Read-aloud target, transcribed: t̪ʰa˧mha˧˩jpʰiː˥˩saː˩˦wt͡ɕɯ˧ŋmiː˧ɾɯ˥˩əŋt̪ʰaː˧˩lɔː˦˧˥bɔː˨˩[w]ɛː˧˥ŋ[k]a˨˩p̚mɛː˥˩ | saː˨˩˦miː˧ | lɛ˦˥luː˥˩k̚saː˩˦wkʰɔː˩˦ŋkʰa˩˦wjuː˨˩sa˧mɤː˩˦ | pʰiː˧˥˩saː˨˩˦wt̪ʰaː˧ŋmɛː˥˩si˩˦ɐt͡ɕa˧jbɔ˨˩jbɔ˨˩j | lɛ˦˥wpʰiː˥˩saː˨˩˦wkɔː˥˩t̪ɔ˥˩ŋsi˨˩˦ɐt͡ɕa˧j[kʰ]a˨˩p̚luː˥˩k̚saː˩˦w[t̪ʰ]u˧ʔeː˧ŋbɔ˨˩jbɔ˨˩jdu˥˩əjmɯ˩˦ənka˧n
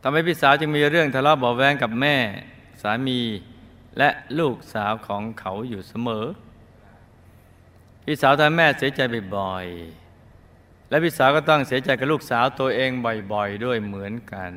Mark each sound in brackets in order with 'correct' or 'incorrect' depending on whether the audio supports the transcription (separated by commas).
correct, correct, incorrect, incorrect